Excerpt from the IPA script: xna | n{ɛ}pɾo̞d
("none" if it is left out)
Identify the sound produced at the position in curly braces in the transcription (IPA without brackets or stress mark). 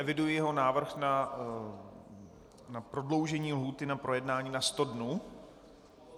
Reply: a